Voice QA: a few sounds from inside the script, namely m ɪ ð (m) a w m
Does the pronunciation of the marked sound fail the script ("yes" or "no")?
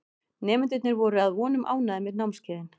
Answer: yes